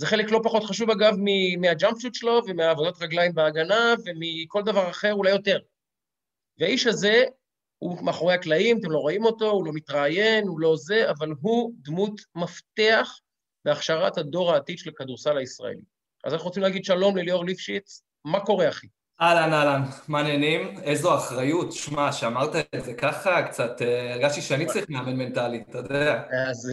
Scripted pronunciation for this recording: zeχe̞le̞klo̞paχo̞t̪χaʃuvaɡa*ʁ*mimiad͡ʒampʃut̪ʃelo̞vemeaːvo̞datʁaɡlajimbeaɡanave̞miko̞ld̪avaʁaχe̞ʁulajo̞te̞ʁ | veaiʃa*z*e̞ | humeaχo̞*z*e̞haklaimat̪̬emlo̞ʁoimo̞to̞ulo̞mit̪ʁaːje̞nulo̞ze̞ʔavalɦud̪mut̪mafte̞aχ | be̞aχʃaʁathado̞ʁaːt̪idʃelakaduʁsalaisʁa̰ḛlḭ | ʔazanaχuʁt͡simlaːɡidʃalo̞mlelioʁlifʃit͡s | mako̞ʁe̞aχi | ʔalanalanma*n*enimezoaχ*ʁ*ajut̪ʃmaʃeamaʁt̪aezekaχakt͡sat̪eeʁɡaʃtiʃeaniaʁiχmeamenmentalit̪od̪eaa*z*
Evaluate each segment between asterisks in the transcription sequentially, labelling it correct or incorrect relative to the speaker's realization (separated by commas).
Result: incorrect, correct, incorrect, correct, correct, correct